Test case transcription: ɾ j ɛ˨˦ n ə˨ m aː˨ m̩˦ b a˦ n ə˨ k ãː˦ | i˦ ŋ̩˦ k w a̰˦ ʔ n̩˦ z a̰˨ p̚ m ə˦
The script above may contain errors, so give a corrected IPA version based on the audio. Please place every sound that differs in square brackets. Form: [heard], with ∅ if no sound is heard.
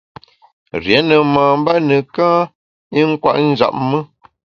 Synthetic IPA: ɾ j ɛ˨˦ n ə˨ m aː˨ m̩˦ b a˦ n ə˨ k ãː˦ | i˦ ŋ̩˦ k w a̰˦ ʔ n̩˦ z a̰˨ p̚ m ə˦